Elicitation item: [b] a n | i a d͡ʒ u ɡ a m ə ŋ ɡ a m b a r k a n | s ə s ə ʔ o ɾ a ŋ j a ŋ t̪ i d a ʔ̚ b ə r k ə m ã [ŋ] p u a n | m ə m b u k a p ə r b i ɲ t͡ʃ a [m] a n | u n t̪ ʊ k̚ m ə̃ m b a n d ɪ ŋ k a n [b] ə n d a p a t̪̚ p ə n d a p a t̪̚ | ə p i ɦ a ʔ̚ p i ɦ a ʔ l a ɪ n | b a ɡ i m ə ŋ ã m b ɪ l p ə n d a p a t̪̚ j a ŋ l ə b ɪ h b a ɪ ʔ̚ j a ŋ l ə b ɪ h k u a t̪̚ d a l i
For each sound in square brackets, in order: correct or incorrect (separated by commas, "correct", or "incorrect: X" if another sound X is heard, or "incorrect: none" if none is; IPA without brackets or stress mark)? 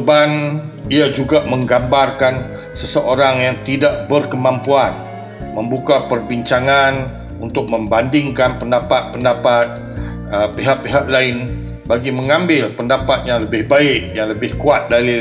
correct, incorrect: m, incorrect: ŋ, incorrect: p